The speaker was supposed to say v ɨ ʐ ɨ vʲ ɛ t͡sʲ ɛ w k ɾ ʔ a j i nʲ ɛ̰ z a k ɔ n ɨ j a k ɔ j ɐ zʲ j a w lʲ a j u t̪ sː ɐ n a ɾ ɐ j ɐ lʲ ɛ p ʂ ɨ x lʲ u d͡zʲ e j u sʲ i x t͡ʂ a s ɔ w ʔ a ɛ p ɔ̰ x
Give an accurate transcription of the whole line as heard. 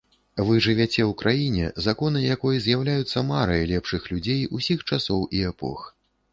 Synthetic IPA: v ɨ ʐ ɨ vʲ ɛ t͡sʲ ɛ w k ɾ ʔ a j i nʲ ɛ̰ z a k ɔ n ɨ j a k ɔ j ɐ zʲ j a w lʲ a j u t̪ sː ɐ m a ɾ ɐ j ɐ lʲ ɛ p ʂ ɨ x lʲ u d͡zʲ e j u sʲ i x t͡ʂ a s ɔ w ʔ i ɛ p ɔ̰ x